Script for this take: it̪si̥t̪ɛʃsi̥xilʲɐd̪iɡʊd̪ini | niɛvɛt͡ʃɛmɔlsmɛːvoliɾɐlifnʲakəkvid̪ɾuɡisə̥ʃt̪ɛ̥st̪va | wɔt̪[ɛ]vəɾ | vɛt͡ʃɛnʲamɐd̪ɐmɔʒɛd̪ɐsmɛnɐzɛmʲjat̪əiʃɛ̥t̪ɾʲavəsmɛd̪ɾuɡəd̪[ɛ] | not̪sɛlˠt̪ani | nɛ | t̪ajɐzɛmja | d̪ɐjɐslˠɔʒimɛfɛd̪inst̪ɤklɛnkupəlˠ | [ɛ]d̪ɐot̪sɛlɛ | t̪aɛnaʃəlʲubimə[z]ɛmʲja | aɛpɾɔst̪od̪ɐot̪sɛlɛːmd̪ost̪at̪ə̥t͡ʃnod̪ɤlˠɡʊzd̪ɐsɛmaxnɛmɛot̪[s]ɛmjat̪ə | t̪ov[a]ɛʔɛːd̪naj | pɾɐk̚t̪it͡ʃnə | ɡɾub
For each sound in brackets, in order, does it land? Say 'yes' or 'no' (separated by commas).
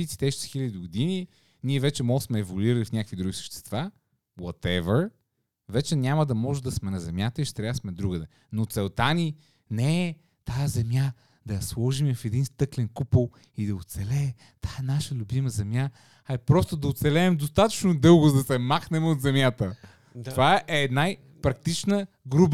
yes, yes, no, yes, no, yes